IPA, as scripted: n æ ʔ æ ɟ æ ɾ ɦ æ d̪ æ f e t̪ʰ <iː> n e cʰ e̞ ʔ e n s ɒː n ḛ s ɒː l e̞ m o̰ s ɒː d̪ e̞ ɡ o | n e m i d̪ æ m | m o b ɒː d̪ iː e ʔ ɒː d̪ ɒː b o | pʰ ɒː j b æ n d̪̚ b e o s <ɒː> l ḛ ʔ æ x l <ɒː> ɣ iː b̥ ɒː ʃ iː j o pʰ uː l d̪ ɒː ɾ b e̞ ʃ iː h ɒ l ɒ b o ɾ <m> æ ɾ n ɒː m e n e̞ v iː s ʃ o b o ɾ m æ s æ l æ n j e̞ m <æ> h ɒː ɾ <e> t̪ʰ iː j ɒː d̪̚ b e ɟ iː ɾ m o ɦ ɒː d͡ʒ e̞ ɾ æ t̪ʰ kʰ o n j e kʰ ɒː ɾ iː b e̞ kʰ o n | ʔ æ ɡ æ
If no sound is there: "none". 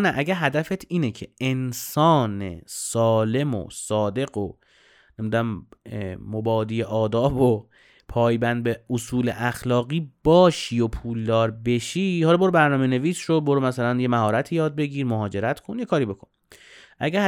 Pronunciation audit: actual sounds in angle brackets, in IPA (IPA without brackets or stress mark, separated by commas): iː, uː, ɒː, b, æ, æ